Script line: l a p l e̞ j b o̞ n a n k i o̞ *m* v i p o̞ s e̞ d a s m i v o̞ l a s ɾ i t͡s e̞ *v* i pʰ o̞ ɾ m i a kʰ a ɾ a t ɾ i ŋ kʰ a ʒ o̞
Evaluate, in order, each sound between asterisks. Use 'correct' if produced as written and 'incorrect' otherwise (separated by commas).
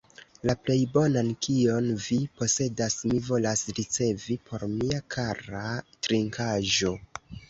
incorrect, correct